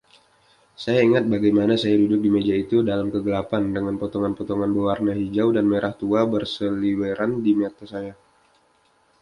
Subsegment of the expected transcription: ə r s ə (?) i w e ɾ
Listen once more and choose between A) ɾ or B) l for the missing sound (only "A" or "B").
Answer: B